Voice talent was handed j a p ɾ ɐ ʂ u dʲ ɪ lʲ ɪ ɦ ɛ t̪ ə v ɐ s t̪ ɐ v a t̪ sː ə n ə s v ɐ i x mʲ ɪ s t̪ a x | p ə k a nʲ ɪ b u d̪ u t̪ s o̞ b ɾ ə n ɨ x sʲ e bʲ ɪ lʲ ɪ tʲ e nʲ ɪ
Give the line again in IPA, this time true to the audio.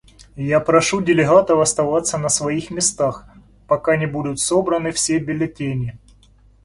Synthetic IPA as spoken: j a p ɾ ɐ ʂ u dʲ ɪ lʲ ɪ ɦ a t̪ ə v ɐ s t̪ ɐ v a t̪ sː ə n ə s v ɐ i x mʲ ɪ s t̪ a x | p ɐ k a nʲ ɪ b u d̪ ʊ t̪ s o̞ b ɾ ə n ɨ f sʲ e bʲ ɪ lʲ ɪ tʲ e nʲ ɪ